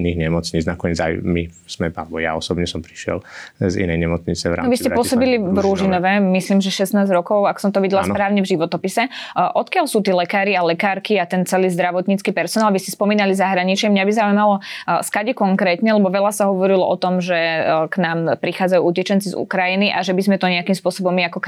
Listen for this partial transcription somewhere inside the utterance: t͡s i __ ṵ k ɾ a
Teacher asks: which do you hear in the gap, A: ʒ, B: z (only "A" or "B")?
B